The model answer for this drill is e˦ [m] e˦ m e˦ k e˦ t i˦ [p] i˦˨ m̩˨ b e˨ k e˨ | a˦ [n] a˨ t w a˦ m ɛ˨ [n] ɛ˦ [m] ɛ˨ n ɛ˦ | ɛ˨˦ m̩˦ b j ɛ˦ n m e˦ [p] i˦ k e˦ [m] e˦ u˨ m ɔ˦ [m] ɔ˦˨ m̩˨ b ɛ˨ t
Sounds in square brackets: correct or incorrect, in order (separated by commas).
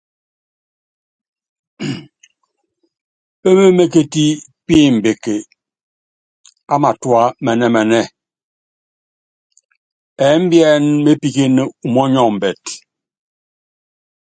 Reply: correct, correct, incorrect, correct, correct, correct, incorrect, incorrect